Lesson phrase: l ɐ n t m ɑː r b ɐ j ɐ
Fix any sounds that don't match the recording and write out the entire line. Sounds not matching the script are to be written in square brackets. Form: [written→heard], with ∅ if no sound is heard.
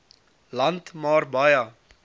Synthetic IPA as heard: l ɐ n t m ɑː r b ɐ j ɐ